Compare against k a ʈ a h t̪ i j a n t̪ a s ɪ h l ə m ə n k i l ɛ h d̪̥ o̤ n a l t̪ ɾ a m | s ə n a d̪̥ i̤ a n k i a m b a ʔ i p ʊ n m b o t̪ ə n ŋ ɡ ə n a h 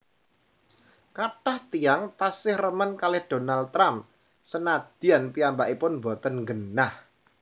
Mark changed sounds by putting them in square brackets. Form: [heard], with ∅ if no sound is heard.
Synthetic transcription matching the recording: k a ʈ a h t̪ i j a [ŋ] t̪ a s ɪ h [r] ə m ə n k [a] l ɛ h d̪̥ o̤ n a l t̪ ɾ a m | s ə n a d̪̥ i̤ a n [p] i a m b a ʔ i p ʊ n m b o t̪ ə n ŋ ɡ ə n a h